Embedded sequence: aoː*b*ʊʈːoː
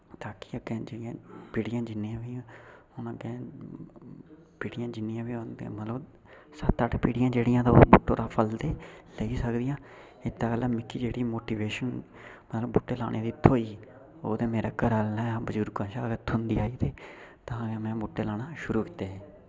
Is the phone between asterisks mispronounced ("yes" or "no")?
no